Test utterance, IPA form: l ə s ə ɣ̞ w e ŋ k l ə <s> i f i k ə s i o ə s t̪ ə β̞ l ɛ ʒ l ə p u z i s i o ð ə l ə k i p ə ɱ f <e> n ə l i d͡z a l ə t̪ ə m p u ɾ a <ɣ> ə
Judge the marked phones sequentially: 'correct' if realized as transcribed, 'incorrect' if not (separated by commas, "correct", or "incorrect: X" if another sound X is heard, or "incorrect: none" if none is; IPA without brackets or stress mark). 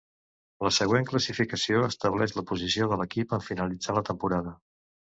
correct, incorrect: i, incorrect: ð